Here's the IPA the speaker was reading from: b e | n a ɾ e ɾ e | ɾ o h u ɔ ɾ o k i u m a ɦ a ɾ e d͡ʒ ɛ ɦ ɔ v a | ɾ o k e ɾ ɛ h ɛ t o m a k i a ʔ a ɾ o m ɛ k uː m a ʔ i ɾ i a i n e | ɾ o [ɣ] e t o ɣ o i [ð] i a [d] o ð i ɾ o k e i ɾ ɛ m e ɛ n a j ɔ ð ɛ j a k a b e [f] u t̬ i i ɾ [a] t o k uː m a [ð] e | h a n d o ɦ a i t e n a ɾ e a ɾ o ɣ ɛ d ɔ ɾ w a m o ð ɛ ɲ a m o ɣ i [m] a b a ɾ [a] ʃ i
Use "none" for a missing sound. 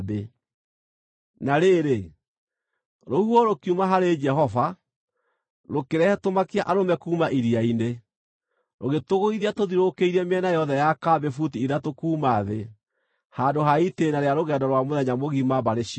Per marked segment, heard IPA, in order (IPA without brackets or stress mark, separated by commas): ɣ, ð, t, f, a, ð, m, e